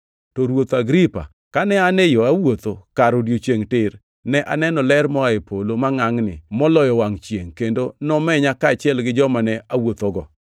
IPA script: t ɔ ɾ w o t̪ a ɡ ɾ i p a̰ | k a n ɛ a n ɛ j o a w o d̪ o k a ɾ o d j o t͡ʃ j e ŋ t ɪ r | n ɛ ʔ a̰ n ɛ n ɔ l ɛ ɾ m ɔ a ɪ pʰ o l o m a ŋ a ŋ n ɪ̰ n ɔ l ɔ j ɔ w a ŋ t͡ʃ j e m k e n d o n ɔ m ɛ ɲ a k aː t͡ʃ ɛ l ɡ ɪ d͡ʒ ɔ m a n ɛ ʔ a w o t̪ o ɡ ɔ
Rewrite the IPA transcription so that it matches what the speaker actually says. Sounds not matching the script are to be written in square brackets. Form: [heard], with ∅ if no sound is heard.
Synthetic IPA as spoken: t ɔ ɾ w o t̪ a ɡ ɾ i p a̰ | k a n ɛ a n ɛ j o a w o [t̪] o k a ɾ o d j o t͡ʃ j e ŋ t ɪ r | n ɛ ʔ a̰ n ɛ n ɔ l ɛ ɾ m ɔ a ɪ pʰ o l o m a ŋ a ŋ n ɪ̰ [m] ɔ l ɔ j ɔ w a ŋ t͡ʃ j e [ŋ] k e n d o n ɔ m ɛ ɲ a k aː t͡ʃ ɛ l ɡ ɪ d͡ʒ ɔ m a n ɛ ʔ a w o t̪ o ɡ ɔ

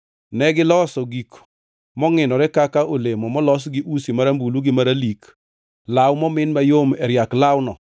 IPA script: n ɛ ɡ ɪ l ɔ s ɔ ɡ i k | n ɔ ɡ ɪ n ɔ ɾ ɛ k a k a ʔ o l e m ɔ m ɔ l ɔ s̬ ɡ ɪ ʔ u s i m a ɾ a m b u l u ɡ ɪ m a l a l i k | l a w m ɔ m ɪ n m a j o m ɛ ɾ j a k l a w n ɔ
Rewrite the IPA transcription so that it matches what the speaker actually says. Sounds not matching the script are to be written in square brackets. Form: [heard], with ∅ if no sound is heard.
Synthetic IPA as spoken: n ɛ ɡ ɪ l ɔ s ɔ ɡ i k | [m] ɔ [ŋ] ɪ n ɔ ɾ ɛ k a k a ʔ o l e m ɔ m ɔ l ɔ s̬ ɡ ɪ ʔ u s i m a ɾ a m b u l u ɡ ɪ m a [ɾ] a l i k | l a w m ɔ m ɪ n m a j o m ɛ ɾ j a k l a w n ɔ

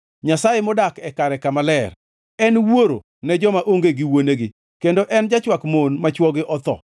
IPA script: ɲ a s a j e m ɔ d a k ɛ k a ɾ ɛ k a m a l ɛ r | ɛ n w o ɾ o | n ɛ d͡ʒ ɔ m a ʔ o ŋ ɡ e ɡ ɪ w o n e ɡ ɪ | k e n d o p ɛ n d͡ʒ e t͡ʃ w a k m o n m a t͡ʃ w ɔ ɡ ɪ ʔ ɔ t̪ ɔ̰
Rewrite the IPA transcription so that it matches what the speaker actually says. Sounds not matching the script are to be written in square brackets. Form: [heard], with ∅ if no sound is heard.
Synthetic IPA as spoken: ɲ a s a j e m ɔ d a k ɛ k a ɾ ɛ k a m a l ɛ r | ɛ n w o ɾ o | n ɛ d͡ʒ ɔ m a ʔ o ŋ ɡ e ɡ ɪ w o n e ɡ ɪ | k e n d o [ʔ] ɛ n d͡ʒ [a] t͡ʃ w a k m o n m a t͡ʃ w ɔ ɡ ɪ ʔ ɔ t̪ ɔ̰

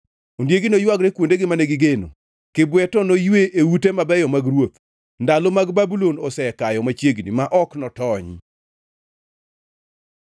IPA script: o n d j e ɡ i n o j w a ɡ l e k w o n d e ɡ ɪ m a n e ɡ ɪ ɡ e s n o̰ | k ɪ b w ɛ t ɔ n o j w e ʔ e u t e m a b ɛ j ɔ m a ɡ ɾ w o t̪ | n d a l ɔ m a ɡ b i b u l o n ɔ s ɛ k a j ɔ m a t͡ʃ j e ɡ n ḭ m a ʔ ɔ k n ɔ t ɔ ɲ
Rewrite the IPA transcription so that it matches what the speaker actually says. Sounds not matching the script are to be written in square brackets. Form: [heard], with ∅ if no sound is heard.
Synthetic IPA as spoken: o n d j e ɡ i n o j w a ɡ [ɾ] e k w o n d e ɡ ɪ m a n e ɡ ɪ ɡ e [∅] n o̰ | k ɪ b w ɛ t ɔ n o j w e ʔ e u t e m a b ɛ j ɔ m a ɡ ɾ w o t̪ | n d a l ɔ m a ɡ b [a] b u l o n ɔ s ɛ k a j ɔ m a t͡ʃ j e ɡ n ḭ m a ʔ ɔ k n ɔ t ɔ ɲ

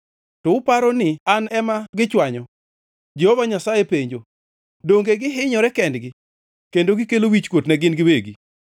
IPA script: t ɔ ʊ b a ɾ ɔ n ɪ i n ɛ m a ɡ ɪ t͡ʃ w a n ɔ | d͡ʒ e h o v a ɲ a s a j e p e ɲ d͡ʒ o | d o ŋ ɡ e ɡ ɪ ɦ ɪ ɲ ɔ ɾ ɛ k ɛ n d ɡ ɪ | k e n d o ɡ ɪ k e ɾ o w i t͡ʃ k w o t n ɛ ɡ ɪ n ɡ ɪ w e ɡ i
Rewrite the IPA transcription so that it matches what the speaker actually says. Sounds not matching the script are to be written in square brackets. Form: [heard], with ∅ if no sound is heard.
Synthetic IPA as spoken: t ɔ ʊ [p] a ɾ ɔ n ɪ [a] n ɛ m a ɡ ɪ t͡ʃ w a [ɲ] ɔ | d͡ʒ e h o v a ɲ a s a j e p e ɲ d͡ʒ o | d o ŋ ɡ e ɡ ɪ ɦ ɪ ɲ ɔ ɾ ɛ k ɛ n d ɡ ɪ | k e n d o ɡ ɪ k e [l] o w i t͡ʃ k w o t n ɛ ɡ ɪ n ɡ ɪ w e ɡ i

